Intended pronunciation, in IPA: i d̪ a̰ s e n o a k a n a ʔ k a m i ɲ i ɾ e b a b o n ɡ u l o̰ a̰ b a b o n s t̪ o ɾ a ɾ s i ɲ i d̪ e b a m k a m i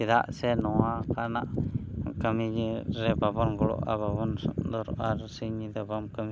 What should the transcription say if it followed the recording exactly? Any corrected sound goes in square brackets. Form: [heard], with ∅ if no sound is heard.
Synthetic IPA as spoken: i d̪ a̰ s e n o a k a n a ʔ k a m i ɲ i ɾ e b a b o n ɡ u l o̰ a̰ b a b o n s [d̪] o ɾ a ɾ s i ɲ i d̪ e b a m k a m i

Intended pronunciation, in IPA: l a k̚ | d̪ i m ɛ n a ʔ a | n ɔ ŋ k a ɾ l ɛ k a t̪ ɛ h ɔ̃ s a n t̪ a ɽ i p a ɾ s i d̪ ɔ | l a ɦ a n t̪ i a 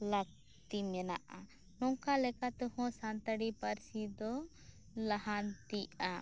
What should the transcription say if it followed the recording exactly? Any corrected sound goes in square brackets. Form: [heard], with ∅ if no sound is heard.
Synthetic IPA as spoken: l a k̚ | [t̪] i m ɛ n a ʔ a | n ɔ ŋ k a [∅] l ɛ k a t̪ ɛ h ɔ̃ s a n t̪ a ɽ i p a ɾ s i d̪ ɔ | l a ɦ a n t̪ i a

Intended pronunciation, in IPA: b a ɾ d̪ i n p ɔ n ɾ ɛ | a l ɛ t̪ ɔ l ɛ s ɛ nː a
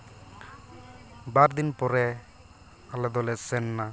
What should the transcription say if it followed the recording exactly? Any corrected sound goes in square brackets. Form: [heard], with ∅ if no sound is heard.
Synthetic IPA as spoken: b a ɾ d̪ i n p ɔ [∅] ɾ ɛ | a l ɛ [d̪] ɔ l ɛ s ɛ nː a

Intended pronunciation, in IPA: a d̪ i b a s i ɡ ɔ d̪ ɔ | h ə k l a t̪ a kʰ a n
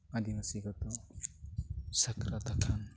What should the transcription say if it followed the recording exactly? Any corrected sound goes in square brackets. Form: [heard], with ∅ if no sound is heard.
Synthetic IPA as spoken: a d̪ i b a s i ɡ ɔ [t̪] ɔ | [s] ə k [ɾ] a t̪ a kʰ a n

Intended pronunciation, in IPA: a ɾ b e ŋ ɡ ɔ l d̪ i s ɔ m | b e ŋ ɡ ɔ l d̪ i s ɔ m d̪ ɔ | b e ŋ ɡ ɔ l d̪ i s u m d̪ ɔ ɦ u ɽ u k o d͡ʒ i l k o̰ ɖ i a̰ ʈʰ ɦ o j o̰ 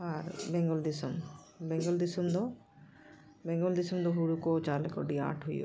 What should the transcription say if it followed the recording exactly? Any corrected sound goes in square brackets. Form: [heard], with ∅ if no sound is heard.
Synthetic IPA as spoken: a ɾ b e ŋ ɡ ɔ l d̪ i s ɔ m | b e ŋ ɡ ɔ l d̪ i s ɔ m d̪ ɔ | b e ŋ ɡ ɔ l d̪ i s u m d̪ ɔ ɦ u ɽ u k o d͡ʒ [a] l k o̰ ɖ i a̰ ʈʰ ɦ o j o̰

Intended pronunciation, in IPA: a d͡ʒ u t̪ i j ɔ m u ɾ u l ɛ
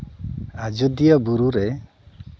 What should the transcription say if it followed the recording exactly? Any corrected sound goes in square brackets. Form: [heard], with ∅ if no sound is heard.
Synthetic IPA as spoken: a d͡ʒ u [d̪] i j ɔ [b] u ɾ u [ɾ] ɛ

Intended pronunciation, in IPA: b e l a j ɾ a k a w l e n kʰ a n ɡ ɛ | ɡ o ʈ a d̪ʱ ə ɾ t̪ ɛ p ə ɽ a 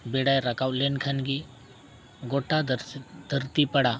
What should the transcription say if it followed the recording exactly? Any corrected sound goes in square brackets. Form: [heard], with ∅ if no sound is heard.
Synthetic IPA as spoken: b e [ɽ] a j ɾ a k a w l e n kʰ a n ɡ [i] | ɡ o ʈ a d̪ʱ ə ɾ t̪ [i] p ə ɽ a

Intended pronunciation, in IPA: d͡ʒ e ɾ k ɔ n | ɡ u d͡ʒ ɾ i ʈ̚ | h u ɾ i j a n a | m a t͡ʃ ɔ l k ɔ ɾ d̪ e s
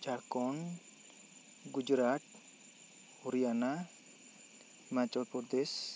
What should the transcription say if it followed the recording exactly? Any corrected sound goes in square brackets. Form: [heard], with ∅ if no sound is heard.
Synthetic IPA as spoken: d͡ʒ [a] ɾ k ɔ n | ɡ u d͡ʒ ɾ [a] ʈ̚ | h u ɾ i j a n a | m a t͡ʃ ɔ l [p] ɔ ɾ d̪ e s

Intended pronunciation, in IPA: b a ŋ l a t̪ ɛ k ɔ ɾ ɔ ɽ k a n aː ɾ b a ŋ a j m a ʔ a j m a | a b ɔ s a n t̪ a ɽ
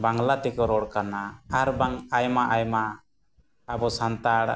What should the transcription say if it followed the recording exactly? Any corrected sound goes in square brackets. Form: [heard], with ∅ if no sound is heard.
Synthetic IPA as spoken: b a ŋ l a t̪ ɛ k ɔ ɾ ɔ ɽ k a n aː ɾ b a ŋ a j m a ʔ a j m a | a b ɔ s a n t̪ a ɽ

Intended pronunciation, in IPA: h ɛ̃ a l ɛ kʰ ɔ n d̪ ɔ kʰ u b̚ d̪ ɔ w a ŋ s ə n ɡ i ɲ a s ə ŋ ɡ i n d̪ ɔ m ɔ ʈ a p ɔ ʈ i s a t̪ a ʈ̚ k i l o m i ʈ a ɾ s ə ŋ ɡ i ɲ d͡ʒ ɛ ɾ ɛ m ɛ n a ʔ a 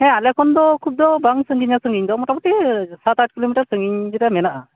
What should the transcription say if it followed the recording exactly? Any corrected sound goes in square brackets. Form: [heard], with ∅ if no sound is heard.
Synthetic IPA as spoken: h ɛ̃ a l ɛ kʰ ɔ n d̪ ɔ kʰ u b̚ d̪ ɔ [b] a ŋ s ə [ŋ] ɡ i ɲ a s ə ŋ ɡ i [ɲ] d̪ ɔ m ɔ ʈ a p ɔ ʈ i s a t̪ a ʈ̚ k i l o m i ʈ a ɾ s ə ŋ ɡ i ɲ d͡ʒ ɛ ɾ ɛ m ɛ n a ʔ a

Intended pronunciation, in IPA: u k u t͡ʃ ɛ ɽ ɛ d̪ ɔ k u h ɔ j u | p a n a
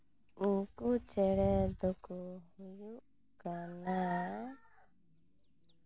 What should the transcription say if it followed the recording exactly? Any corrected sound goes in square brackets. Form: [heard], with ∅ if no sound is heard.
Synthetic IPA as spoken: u k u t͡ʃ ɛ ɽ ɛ d̪ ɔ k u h [u] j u | [k] a n a

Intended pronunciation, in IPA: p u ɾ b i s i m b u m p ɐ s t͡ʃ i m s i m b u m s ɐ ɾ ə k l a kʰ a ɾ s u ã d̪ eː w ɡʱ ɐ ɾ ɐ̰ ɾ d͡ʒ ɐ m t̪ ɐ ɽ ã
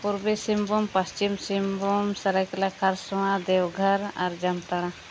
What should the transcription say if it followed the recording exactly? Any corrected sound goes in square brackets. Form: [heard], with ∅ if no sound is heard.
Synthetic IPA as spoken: p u ɾ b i s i m b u m p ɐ s t͡ʃ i m s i m b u m s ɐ ɾ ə k l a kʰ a ɾ s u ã d̪ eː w ɡʱ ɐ ɾ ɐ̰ ɾ d͡ʒ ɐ m t̪ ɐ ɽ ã

